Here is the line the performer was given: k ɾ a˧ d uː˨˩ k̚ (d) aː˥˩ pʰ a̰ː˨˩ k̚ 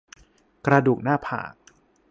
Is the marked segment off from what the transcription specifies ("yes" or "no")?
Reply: yes